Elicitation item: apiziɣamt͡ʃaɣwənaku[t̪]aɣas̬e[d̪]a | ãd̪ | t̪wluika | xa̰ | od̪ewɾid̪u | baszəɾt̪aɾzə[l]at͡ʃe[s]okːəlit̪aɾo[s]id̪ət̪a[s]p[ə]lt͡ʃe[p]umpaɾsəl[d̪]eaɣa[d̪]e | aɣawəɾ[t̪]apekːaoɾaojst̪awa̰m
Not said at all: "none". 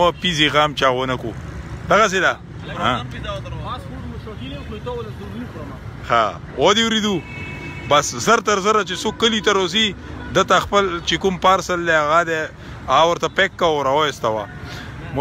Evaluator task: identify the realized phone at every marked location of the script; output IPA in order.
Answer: d̪, d̪, ɾ, s, z, x, ə, k, d̪, d̪, t̪

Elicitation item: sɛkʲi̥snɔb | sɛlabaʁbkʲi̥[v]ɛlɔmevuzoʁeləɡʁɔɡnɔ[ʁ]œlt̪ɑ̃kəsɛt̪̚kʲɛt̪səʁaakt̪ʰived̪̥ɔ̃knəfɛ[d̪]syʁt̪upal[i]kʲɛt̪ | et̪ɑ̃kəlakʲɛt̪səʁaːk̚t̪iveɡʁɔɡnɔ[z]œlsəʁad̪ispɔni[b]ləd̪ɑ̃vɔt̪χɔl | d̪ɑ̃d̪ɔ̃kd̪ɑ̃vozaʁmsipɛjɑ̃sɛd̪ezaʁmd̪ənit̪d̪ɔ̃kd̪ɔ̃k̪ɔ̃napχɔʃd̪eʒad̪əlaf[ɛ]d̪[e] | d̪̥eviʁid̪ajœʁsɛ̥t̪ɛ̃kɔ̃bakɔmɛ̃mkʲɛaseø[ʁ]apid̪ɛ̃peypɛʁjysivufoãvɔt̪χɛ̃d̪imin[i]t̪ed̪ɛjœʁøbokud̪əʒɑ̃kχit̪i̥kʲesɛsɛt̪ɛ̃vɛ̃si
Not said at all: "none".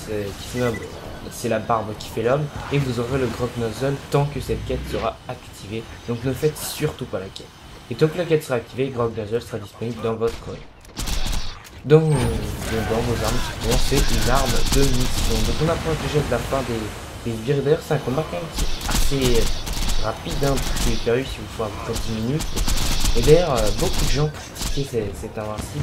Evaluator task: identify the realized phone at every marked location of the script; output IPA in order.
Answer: f, z, t̪, a, z, b, ɛ̃, e, ʁ, y

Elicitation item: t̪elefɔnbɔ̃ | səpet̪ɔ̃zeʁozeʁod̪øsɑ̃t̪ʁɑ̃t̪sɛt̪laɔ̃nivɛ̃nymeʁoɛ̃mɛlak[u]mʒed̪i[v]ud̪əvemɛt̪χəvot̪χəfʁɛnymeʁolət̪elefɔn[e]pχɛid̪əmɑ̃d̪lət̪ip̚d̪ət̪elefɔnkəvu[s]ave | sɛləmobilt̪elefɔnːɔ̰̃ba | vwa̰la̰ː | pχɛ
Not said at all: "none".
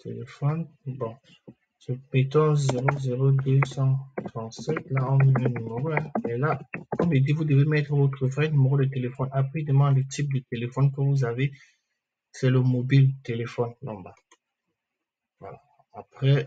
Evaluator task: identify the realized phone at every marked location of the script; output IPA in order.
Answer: ɔ, v, a, z

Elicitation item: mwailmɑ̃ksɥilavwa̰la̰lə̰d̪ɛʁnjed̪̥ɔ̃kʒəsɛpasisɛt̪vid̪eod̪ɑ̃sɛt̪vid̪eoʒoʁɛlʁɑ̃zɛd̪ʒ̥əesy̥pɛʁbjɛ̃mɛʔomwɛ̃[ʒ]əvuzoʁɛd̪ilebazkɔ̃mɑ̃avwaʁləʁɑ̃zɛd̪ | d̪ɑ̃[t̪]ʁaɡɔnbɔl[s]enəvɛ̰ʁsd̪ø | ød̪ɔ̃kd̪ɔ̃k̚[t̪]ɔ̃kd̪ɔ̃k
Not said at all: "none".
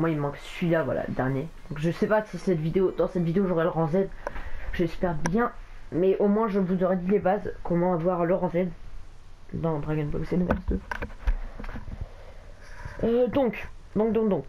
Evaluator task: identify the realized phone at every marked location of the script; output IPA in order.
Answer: ʒ, d̪, s, d̪

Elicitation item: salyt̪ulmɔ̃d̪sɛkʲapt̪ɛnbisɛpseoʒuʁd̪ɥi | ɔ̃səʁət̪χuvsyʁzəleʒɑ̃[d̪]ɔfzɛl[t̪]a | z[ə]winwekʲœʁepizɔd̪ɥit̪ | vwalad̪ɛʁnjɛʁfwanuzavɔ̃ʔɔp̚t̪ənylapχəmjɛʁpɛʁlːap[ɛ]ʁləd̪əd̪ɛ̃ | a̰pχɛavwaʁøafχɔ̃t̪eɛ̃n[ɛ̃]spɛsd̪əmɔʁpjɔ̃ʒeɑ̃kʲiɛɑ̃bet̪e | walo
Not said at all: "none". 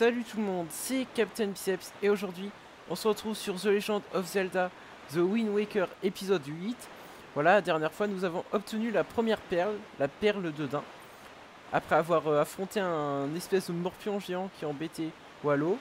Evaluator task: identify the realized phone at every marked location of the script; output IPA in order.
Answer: d̪, d̪, ə, ɛ, ɛ

